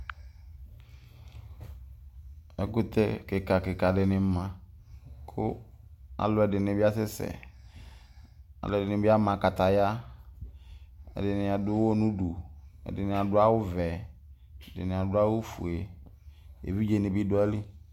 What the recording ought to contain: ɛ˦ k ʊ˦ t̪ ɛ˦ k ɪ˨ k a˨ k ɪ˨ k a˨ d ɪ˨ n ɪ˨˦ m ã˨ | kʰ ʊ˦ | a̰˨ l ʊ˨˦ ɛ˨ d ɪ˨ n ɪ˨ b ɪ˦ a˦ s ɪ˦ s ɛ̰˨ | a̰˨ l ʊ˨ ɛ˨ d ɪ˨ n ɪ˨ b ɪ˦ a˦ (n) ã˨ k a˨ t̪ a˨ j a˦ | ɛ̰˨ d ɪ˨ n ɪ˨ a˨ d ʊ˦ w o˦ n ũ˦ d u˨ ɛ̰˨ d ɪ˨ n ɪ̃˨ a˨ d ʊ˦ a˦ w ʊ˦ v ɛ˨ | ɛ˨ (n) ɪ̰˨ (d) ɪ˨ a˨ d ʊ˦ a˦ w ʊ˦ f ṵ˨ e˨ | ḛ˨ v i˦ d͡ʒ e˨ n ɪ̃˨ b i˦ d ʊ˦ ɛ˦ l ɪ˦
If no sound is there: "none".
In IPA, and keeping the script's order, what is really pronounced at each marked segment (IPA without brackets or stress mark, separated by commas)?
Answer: m, d, n